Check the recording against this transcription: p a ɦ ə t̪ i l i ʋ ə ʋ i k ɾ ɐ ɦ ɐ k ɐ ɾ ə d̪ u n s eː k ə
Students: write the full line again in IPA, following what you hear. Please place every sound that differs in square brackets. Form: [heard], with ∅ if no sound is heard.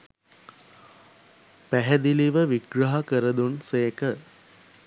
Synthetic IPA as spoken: p [æ] ɦ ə [d̪] i l i ʋ ə ʋ i [ɡ] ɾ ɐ ɦ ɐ k [ə] ɾ ə d̪ u n s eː k ə

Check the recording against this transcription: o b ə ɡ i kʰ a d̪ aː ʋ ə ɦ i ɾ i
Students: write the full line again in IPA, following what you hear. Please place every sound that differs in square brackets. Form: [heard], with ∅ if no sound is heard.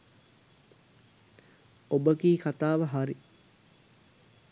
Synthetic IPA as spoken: o b ə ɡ [iː] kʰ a [t̪] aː ʋ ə ɦ [a] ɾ i

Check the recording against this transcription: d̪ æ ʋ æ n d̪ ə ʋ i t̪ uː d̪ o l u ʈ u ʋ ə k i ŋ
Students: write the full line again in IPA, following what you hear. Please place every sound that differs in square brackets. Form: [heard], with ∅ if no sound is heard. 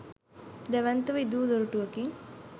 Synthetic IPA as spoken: d̪ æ ʋ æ n [t̪] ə ʋ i [d̪] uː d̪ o [ɾ] u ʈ u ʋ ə k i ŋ

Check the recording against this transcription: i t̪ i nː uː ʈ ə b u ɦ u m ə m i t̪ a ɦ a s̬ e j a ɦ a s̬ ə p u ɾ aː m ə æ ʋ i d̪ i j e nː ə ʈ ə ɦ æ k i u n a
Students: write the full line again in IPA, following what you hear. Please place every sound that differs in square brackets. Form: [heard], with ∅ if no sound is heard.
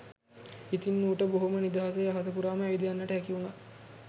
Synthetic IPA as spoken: i t̪ i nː uː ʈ ə b [o] ɦ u m ə [n] i [d̪] a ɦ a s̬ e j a ɦ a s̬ ə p u ɾ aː m ə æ ʋ i d̪ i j [a] nː ə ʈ ə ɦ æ k i u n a

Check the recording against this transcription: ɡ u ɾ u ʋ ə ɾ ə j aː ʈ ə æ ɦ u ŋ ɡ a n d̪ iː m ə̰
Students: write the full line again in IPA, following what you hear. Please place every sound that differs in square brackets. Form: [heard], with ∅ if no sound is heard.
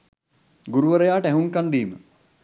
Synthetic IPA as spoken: ɡ u ɾ u ʋ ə ɾ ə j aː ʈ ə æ ɦ u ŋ [k] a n d̪ iː m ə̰

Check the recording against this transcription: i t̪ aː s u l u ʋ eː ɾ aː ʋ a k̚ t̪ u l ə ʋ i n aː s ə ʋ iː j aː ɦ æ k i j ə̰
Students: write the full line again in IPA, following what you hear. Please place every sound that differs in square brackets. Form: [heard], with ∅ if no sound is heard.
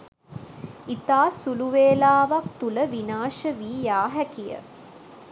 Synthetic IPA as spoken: i t̪ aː s u l u ʋ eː [l] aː ʋ a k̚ t̪ u l ə ʋ i n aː [ʃ] ə ʋ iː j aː ɦ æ k i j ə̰

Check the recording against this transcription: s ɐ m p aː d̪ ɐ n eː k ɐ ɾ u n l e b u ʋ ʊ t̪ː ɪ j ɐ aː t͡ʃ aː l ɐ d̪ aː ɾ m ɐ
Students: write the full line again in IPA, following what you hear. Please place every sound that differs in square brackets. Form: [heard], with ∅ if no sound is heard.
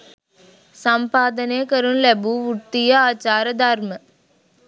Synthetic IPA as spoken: s ɐ m p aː d̪ ɐ n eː k ɐ ɾ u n l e b u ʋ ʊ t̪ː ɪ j ɐ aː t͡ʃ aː [ɾ] ɐ d̪ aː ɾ m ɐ

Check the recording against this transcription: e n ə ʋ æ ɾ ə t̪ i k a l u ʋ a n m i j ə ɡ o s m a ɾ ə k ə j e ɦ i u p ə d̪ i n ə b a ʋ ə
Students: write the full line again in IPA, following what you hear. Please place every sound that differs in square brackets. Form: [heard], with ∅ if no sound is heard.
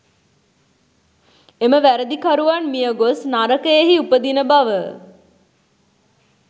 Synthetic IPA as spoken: e [m] ə ʋ æ ɾ ə [d̪] i k a [ɾ] u ʋ a n m i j ə ɡ o s [n] a ɾ ə k ə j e ɦ i u p ə d̪ i n ə b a ʋ ə

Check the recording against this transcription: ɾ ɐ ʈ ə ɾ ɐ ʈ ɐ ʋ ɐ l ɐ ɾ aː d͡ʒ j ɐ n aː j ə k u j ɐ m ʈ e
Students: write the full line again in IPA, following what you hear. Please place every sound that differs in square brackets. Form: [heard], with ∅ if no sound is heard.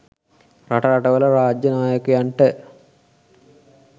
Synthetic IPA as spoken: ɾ ɐ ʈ [ɐ] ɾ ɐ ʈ ɐ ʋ ɐ l ɐ ɾ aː d͡ʒ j ɐ n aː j [ɐ] k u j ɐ [ɳ] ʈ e

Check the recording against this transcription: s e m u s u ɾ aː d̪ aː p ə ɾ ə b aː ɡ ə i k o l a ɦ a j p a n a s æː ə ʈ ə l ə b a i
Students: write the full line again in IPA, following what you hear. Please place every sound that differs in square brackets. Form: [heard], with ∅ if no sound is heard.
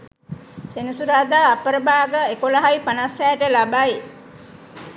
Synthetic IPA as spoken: s e [n] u s u ɾ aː d̪ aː p ə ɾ ə b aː ɡ ə [e] k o l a ɦ a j p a n a s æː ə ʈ ə l [a] b a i

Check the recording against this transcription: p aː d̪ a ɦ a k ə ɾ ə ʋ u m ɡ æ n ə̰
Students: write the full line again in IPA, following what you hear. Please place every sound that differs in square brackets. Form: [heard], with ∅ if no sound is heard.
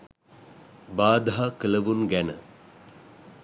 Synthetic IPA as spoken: [b] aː d̪ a ɦ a k ə [l] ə ʋ u [n] ɡ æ n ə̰

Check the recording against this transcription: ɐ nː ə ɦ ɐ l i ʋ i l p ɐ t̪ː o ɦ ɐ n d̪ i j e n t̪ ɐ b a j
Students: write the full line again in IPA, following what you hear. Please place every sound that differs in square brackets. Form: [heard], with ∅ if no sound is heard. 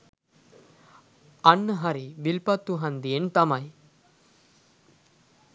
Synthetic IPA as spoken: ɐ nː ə ɦ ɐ [ɾ] i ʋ i l p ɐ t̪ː [u] ɦ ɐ n d̪ i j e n t̪ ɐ [m] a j

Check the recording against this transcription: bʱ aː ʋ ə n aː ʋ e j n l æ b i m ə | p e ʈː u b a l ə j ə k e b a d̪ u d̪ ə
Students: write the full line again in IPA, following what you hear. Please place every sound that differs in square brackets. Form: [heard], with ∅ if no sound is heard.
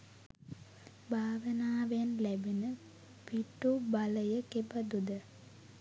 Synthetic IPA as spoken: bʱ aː ʋ ə n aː ʋ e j n l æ b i [n] ə | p [i] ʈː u b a l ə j ə k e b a d̪ u d̪ ə

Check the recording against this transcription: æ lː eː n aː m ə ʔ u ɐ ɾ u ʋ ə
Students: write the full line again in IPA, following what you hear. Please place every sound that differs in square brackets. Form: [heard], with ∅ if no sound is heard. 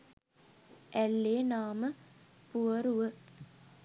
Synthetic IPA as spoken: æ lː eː n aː m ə [p] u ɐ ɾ u ʋ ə

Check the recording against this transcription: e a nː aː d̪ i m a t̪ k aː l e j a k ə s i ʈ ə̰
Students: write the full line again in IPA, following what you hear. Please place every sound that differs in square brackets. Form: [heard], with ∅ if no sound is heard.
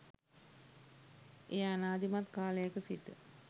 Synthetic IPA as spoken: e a [n] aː d̪ i m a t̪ k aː l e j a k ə s i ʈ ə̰

